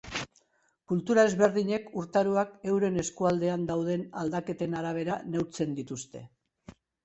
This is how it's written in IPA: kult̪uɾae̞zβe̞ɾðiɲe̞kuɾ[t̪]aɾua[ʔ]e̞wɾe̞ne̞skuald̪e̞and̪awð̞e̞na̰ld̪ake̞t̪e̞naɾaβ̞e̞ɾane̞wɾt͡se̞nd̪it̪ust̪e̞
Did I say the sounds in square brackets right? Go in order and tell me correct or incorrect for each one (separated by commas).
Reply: correct, incorrect